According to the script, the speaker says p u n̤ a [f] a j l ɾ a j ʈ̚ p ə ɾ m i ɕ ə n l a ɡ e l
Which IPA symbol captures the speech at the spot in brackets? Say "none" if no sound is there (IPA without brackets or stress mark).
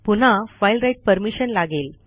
f